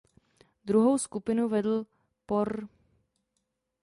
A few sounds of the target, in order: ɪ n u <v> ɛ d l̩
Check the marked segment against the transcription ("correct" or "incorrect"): correct